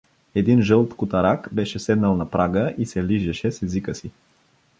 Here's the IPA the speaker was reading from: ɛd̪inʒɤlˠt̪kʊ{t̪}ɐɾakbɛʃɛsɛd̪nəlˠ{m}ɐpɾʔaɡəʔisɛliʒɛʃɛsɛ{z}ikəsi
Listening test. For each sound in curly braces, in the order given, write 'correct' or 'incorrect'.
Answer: correct, incorrect: n, correct

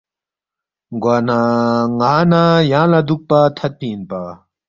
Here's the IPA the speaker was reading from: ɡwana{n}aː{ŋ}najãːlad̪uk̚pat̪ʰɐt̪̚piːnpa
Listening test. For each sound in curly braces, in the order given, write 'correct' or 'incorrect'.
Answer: incorrect: ŋ, incorrect: none

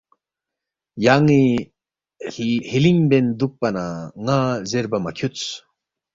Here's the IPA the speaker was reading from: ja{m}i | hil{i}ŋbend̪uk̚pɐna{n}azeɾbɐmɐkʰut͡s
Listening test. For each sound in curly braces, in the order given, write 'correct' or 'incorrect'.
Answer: incorrect: ŋ, correct, incorrect: ŋ

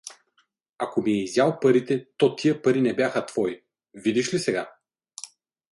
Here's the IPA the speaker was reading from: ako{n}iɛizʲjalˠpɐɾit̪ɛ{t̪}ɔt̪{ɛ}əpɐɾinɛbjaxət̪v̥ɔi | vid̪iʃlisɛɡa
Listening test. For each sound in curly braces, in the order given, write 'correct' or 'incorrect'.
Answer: incorrect: m, correct, incorrect: i

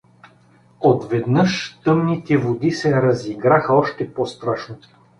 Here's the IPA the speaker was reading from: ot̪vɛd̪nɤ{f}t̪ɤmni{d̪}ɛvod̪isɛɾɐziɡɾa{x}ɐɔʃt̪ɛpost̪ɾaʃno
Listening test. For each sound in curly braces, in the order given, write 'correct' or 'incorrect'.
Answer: incorrect: ʃ, incorrect: t̪, correct

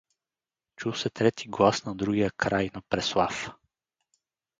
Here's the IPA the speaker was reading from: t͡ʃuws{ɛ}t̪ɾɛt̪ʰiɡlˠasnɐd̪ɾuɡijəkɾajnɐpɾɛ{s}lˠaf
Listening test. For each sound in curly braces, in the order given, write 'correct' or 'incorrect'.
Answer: correct, correct

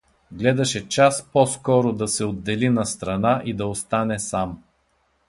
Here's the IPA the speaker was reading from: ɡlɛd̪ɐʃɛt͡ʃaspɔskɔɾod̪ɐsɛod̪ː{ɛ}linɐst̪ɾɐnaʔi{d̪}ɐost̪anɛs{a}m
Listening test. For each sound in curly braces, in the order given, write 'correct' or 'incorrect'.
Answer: correct, correct, correct

